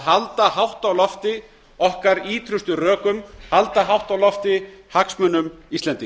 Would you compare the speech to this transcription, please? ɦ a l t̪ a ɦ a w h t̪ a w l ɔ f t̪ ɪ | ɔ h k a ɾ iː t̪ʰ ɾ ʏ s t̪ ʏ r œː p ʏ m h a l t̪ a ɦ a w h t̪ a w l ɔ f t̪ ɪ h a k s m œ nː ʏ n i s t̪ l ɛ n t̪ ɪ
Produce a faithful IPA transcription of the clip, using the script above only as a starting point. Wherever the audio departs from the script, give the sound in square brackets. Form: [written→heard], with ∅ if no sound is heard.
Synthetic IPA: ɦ a l t̪ a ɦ a w h t̪ a w l ɔ f t̪ ɪ | ɔ h k a ɾ iː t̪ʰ ɾ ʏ s t̪ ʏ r œː [p→k] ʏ m h a l t̪ a ɦ a w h t̪ a w l ɔ f t̪ ɪ h a k s m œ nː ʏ [n→m] i s t̪ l ɛ n t̪ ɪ